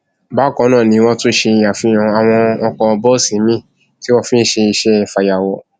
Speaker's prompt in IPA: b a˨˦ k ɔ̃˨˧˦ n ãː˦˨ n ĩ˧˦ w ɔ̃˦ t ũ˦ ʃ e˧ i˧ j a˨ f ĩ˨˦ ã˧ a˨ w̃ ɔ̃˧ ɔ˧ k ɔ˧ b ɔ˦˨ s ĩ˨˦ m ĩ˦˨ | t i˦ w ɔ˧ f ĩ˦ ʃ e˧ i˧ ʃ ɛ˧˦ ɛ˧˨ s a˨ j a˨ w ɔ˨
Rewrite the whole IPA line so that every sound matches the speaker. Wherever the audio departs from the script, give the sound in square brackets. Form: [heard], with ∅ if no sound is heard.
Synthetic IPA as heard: b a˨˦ k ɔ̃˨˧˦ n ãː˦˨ n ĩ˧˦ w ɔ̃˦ t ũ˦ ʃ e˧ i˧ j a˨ f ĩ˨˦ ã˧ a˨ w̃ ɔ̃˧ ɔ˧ k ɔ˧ b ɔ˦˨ s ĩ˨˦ m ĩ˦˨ | t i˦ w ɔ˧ f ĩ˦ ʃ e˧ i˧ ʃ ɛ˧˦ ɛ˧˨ [f] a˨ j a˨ w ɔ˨